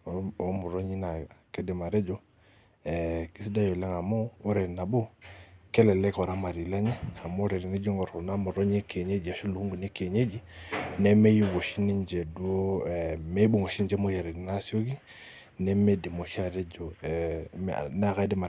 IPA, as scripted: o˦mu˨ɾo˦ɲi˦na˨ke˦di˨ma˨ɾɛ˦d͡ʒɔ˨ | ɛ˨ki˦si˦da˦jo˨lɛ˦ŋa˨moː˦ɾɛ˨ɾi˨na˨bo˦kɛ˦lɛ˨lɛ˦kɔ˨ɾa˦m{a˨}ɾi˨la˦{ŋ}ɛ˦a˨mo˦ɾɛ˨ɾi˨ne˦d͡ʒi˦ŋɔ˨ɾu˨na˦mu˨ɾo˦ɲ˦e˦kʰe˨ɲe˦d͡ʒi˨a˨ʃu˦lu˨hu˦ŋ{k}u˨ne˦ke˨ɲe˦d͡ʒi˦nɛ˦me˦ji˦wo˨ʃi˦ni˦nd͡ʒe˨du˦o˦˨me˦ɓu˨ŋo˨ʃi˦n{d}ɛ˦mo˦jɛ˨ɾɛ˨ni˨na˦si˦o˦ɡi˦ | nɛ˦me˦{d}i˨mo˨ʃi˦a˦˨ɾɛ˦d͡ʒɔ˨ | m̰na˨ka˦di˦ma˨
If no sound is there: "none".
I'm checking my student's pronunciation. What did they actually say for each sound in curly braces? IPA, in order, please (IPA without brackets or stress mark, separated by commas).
a˨, ɲ, ɡ, d͡ʒ, d